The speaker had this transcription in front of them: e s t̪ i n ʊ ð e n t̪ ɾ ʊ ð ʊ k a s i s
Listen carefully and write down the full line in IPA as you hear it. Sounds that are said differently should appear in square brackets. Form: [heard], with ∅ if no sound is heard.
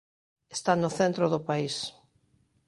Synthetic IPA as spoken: e s t̪ [a] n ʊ [θ] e n t̪ ɾ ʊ ð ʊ [p] a [∅] i s